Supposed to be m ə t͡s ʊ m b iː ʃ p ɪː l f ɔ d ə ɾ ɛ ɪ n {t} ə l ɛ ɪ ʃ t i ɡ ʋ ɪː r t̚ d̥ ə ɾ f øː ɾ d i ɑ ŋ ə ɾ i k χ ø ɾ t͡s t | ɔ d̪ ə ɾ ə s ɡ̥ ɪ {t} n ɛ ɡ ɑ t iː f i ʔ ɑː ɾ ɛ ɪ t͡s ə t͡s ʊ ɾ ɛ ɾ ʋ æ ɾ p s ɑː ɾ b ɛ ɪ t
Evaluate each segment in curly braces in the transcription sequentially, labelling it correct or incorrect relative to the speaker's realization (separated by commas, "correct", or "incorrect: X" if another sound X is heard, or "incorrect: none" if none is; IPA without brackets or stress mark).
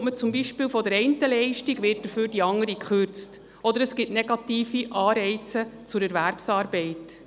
correct, correct